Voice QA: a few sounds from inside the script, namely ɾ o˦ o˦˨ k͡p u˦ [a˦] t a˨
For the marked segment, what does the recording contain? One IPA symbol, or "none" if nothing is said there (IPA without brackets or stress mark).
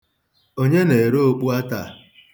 a˦